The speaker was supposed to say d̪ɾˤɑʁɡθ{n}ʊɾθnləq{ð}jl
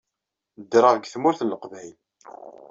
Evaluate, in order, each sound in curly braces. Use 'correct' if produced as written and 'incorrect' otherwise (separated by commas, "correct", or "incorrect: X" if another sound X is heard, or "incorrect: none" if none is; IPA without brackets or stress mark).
incorrect: m, incorrect: v